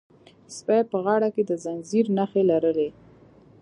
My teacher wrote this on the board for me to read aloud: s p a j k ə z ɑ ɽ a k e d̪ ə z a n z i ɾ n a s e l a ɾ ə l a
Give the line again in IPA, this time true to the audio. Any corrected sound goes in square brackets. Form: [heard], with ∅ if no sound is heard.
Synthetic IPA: s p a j [p] ə [ɣ] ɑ ɽ a k e d̪ ə z a n z i ɾ n a [x] e l a ɾ ə l [e]